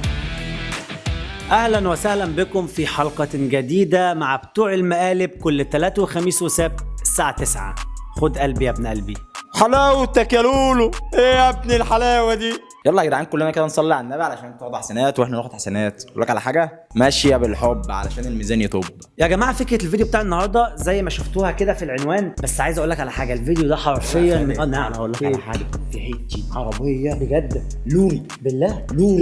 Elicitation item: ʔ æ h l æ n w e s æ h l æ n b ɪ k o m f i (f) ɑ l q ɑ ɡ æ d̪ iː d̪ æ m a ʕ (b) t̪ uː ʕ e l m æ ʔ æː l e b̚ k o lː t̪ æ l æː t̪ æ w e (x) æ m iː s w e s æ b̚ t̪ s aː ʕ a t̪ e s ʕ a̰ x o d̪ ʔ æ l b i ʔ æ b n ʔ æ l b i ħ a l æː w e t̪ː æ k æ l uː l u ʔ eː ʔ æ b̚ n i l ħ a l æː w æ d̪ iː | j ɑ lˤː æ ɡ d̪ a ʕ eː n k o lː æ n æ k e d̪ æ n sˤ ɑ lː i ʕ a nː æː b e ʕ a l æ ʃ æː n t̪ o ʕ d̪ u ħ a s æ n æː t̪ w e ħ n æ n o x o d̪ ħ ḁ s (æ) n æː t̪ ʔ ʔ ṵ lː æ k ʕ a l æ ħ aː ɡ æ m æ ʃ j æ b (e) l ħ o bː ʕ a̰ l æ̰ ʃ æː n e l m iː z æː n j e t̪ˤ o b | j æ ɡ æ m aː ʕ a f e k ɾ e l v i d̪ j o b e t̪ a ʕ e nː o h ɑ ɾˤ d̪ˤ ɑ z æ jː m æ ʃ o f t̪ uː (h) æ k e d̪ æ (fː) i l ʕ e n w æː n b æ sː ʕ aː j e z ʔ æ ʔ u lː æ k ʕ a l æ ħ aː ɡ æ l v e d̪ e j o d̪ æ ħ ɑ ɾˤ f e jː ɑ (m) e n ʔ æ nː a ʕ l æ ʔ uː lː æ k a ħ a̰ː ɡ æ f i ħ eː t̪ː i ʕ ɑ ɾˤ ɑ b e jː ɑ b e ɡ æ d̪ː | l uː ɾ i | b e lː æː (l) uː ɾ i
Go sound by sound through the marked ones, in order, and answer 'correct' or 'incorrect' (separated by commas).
incorrect, correct, correct, correct, correct, correct, incorrect, correct, correct